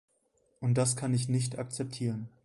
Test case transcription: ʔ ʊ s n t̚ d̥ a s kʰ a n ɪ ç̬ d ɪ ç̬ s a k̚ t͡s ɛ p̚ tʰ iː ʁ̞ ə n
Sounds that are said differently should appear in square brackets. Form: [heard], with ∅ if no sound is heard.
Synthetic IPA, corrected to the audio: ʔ ʊ [∅] n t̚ d̥ a s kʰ a n ɪ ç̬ [n] ɪ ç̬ [t] a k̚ t͡s ɛ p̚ tʰ iː ʁ̞ ə n